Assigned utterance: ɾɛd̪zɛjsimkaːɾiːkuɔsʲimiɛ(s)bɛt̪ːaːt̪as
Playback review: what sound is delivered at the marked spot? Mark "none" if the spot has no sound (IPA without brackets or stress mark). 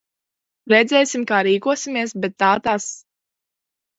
s